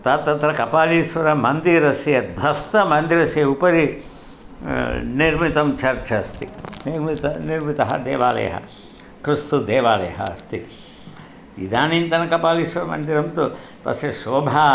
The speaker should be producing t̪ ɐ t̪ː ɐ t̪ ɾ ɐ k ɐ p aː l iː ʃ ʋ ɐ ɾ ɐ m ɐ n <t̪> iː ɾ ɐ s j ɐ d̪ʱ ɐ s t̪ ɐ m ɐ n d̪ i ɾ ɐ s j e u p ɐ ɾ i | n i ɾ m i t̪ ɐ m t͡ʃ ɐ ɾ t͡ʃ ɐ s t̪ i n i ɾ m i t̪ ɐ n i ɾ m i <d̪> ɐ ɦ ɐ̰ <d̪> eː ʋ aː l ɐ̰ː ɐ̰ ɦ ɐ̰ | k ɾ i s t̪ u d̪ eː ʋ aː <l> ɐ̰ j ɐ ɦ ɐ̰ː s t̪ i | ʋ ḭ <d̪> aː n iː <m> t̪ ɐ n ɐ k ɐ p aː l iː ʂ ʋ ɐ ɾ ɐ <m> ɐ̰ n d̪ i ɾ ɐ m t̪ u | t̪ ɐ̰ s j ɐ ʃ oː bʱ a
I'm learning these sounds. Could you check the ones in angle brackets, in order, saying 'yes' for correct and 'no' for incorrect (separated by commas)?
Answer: no, no, yes, yes, yes, no, yes